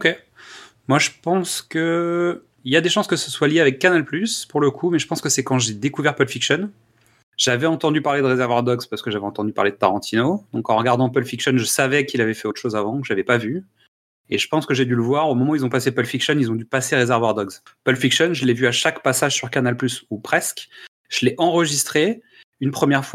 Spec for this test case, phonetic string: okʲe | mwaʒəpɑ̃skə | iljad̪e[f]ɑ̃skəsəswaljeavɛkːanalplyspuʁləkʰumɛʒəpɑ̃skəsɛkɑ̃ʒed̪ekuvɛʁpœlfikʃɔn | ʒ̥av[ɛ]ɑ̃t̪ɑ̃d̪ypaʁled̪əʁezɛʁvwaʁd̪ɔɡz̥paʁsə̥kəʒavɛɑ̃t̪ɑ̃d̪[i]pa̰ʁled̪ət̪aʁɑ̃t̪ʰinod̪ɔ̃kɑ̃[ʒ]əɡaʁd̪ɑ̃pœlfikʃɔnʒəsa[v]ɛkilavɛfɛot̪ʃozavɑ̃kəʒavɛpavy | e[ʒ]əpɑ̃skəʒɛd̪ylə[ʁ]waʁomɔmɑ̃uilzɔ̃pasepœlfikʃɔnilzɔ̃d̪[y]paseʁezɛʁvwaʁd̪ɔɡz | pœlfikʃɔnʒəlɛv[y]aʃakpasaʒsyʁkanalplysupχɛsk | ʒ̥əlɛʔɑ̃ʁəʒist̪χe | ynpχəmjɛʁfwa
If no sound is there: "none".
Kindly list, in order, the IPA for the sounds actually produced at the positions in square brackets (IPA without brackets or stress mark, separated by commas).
ʃ, ɛ, y, ʁ, v, ʒ, v, y, y